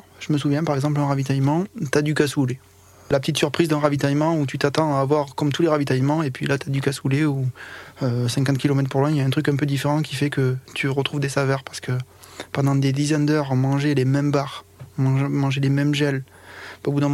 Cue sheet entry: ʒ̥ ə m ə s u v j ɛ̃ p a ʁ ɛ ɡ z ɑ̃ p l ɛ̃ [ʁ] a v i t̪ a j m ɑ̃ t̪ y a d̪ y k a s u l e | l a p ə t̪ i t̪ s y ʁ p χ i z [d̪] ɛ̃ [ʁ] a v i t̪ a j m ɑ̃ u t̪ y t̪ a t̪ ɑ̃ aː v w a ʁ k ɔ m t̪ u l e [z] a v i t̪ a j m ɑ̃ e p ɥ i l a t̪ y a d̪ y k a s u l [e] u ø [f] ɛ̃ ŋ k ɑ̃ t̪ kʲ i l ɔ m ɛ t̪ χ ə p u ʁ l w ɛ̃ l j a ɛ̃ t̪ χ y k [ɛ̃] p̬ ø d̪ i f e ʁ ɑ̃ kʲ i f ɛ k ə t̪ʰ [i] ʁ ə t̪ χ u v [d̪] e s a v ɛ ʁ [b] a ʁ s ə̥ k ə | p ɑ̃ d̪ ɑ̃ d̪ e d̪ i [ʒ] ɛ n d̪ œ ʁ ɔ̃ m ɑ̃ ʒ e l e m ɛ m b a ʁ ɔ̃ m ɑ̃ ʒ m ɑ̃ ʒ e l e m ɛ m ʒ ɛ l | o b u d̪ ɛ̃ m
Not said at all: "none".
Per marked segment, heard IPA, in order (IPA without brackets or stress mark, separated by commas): ʁ, d̪, ʁ, ʁ, e, s, ɛ̃, y, d̪, p, z